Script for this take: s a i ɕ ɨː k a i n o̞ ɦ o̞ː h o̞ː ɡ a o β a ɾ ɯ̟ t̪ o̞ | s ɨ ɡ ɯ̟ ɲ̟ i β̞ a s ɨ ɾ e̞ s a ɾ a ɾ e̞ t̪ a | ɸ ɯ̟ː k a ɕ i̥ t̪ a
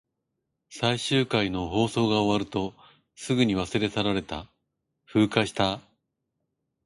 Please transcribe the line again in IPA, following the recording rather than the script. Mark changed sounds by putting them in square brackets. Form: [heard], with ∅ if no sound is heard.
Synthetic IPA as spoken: s a i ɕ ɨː k a i n o̞ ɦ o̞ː [s] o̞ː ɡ a o β a ɾ ɯ̟ t̪ o̞ | s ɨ ɡ ɯ̟ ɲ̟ i β̞ a s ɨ ɾ e̞ s a ɾ a ɾ e̞ t̪ a | ɸ ɯ̟ː k a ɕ i̥ t̪ a